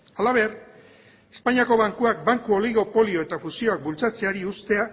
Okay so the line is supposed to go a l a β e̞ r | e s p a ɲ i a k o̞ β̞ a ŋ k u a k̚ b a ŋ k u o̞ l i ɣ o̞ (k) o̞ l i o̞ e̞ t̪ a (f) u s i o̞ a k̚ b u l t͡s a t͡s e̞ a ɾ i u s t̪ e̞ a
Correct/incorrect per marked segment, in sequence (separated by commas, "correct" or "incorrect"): incorrect, correct